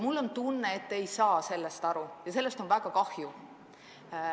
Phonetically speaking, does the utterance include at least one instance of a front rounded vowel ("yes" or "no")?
no